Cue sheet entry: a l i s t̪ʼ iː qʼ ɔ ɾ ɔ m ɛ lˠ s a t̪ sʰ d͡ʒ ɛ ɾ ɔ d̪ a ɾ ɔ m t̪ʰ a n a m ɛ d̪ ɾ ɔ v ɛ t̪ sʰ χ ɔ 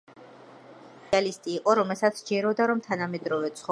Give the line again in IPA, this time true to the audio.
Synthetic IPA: a l i s t̪ʼ iː qʼ ɔ ɾ ɔ m ɛ lˠ s a t̪ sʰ d͡ʒ ɛ ɾ ɔ d̪ a ɾ ɔ m t̪ʰ a n a m ɛ d̪ ɾ ɔ v ɛ t̪ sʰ χ ɔ